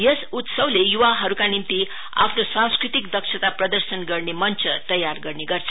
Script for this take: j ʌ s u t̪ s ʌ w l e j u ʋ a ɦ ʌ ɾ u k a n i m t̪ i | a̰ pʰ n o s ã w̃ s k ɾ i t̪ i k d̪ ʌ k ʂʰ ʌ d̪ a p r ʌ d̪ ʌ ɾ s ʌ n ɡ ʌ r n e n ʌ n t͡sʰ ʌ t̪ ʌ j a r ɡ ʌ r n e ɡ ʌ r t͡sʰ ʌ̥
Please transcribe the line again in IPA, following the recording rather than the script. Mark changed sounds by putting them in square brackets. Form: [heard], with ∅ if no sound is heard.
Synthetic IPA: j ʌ s u t̪ s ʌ w l e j u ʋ a ɦ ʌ ɾ u k a n i m t̪ i | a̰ pʰ n o s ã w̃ s k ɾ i t̪ i k d̪ ʌ k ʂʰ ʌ [t̪] a p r ʌ d̪ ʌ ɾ s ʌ n ɡ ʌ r n e [m] ʌ n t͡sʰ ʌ t̪ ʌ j a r ɡ ʌ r n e ɡ ʌ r t͡sʰ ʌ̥